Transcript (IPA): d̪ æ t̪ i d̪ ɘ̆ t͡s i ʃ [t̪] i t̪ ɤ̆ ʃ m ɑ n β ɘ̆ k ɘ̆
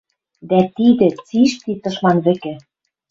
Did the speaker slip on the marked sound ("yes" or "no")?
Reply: no